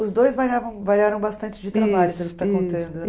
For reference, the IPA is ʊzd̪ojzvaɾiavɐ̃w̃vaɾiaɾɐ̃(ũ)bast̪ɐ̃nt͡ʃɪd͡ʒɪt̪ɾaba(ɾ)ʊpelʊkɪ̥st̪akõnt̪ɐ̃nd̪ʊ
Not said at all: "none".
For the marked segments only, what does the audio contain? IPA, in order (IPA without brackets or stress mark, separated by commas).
w̃, ʎ